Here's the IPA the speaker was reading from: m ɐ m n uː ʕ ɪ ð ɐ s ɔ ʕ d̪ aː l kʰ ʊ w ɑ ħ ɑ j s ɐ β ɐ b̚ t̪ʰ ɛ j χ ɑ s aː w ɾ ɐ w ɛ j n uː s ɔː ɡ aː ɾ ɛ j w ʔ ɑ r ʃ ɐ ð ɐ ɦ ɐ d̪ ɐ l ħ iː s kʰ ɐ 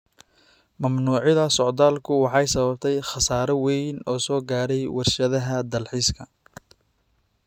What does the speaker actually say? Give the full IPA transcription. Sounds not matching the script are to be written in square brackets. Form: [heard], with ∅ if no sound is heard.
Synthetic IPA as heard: m ɐ m n uː ʕ ɪ ð ɐ s ɔ ʕ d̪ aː l kʰ ʊ w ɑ ħ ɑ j s ɐ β ɐ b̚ t̪ʰ ɛ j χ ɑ s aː [∅] ɾ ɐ w ɛ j n [ɔː] s ɔː ɡ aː ɾ ɛ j w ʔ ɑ r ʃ ɐ ð ɐ ɦ ɐ d̪ ɐ l ħ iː s kʰ ɐ